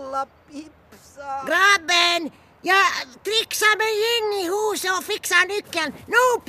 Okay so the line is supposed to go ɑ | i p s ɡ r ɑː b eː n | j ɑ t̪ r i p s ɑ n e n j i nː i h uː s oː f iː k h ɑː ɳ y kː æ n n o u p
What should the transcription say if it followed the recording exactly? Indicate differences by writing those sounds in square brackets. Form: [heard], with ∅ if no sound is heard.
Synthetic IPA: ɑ | i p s ɡ r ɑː b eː n | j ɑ t̪ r i [k] s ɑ [m] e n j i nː i h uː s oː f [i] k [s] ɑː [n] y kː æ n n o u p